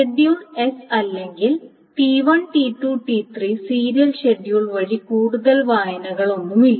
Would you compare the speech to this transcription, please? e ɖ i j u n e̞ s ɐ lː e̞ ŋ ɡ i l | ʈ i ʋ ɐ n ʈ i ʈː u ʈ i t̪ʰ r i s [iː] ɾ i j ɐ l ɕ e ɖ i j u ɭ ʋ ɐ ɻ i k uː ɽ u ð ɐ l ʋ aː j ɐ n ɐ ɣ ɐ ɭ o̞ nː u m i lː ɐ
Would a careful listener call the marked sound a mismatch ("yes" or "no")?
no